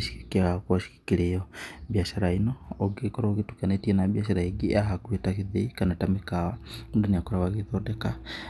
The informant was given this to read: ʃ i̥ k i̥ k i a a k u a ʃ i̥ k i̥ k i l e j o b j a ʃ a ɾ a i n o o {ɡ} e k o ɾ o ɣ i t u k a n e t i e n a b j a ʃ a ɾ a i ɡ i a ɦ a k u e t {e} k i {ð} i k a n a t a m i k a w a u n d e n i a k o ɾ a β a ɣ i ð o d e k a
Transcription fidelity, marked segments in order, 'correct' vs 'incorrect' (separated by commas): correct, incorrect, correct